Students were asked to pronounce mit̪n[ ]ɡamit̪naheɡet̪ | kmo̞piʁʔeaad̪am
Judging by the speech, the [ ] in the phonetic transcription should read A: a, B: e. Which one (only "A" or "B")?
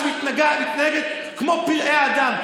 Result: A